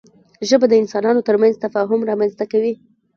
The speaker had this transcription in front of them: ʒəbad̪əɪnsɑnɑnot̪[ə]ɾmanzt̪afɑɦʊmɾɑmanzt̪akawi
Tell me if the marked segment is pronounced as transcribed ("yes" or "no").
yes